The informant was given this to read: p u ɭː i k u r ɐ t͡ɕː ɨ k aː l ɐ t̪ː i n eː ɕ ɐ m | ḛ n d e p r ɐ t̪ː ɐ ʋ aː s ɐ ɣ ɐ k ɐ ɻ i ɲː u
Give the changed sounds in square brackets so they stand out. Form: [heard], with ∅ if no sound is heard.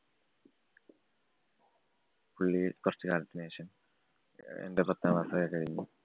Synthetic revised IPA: p u ɭː i k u r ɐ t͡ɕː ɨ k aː l ɐ t̪ː i n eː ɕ ɐ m | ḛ n d e p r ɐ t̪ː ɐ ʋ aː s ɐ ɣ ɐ k ɐ ɻ i ɲː u